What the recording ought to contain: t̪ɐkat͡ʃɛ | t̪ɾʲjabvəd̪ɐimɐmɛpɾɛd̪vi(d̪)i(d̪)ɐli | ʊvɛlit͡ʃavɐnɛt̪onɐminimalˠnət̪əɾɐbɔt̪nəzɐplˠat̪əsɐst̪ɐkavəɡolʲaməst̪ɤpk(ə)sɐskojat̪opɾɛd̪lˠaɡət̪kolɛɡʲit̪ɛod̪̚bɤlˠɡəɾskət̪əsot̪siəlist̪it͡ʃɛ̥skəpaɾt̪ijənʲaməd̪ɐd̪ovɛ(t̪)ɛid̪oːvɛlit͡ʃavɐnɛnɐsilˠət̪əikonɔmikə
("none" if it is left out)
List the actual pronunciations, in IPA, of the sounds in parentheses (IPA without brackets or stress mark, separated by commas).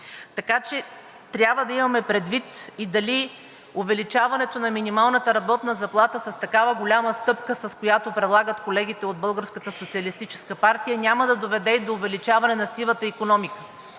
t̪, d̪, ə, d̪